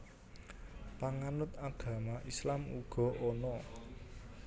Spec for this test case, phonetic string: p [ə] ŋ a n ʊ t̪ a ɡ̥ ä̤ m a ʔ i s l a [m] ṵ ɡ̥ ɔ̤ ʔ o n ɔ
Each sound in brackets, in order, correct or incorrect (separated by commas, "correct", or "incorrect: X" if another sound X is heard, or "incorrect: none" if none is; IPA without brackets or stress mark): incorrect: a, correct